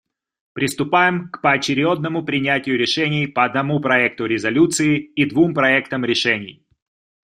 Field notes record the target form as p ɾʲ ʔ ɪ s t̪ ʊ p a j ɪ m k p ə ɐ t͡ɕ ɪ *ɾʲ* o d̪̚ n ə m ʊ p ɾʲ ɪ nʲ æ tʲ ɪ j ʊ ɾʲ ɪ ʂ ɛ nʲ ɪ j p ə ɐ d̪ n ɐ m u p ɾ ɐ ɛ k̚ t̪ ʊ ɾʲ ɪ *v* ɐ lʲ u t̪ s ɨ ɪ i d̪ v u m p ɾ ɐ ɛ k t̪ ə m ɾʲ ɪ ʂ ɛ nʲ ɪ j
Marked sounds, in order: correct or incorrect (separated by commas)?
correct, incorrect